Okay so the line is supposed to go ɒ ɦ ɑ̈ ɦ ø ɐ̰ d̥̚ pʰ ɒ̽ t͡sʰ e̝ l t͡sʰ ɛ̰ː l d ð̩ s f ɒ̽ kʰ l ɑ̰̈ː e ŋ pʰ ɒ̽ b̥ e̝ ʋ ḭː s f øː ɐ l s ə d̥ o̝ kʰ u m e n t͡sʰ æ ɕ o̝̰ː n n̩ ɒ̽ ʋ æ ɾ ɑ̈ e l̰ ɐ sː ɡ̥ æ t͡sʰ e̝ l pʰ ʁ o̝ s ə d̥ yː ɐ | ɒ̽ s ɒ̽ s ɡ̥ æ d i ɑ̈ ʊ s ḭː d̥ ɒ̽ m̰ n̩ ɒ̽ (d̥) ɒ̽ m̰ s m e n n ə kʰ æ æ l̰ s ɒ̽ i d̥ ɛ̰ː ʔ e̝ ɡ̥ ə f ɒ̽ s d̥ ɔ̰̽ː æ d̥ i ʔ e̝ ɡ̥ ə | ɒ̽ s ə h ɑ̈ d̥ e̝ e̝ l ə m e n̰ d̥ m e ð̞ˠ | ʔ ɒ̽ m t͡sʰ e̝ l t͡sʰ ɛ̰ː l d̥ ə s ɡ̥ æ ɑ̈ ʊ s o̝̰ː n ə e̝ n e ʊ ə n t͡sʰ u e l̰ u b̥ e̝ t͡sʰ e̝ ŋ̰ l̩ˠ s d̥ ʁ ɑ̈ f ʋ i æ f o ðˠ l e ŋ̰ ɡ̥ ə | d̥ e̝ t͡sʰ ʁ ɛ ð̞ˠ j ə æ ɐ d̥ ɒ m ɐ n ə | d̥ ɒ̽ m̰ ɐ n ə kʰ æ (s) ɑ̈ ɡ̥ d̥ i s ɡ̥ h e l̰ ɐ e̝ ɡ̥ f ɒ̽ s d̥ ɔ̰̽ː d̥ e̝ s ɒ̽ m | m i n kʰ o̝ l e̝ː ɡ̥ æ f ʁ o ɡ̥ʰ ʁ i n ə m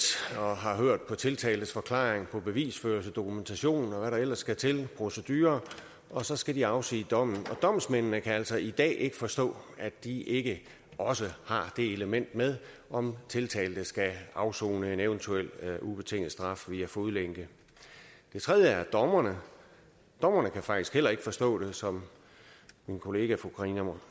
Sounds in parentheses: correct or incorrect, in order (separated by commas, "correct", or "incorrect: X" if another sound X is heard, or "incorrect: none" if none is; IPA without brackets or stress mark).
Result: correct, incorrect: f